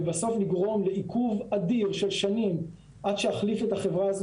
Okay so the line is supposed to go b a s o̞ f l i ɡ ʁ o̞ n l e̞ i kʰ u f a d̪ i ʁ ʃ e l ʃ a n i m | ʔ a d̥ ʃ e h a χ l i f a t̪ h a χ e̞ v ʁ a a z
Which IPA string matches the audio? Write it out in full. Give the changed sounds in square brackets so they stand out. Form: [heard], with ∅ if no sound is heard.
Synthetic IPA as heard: b a s o̞ f l i ɡ ʁ o̞ [m] l e̞ i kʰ u [v] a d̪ i ʁ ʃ e l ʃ a n i m | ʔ a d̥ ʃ e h a χ l i f [e] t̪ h a χ e̞ v ʁ a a z